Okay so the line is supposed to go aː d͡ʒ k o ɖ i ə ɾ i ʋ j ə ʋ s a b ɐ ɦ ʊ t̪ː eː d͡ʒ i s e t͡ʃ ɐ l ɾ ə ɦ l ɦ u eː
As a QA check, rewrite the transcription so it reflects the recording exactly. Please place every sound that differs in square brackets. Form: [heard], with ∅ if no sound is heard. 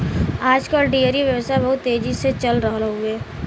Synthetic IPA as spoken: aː d͡ʒ k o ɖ i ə ɾ i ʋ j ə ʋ s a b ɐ ɦ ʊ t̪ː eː d͡ʒ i s e t͡ʃ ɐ l ɾ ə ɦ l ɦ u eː